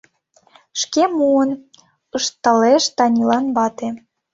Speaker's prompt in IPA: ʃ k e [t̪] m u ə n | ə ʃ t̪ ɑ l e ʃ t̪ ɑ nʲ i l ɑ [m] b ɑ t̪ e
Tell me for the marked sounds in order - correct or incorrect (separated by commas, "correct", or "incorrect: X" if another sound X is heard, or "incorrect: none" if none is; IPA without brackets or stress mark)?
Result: incorrect: none, incorrect: n